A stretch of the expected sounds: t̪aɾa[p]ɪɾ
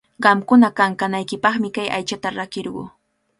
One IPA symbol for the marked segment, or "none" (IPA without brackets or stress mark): k